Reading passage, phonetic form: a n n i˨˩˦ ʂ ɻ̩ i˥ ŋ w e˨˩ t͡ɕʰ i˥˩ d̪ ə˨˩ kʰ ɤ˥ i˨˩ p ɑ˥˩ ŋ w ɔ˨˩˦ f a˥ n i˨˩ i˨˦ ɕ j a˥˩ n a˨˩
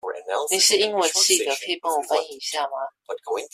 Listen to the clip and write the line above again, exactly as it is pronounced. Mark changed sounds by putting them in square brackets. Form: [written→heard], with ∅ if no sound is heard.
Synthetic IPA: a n n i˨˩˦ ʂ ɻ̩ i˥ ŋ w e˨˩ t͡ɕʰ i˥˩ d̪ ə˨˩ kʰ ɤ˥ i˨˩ p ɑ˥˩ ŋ w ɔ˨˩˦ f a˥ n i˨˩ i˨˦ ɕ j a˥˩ [n→m] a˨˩